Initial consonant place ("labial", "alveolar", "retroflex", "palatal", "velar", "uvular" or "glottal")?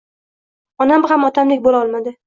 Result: alveolar